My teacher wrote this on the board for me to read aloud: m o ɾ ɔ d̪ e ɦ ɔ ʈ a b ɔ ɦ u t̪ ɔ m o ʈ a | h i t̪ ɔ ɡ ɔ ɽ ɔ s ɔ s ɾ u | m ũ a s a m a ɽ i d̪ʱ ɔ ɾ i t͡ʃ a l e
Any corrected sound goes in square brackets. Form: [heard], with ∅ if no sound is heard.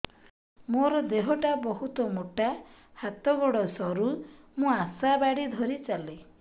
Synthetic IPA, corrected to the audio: m o ɾ ɔ d̪ e ɦ ɔ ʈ a b ɔ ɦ u t̪ ɔ m o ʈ a | h [a] t̪ ɔ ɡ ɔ ɽ ɔ s ɔ [∅] ɾ u | m ũ a s a [b] a ɽ i d̪ʱ ɔ ɾ i t͡ʃ a l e